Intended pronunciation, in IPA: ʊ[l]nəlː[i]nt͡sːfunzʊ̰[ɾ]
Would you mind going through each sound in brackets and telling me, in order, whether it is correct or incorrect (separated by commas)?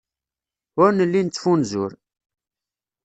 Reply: incorrect, correct, correct